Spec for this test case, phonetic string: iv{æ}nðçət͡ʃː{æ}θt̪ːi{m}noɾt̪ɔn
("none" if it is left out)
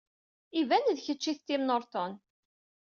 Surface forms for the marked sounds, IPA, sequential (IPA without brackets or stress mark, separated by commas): æ, i, m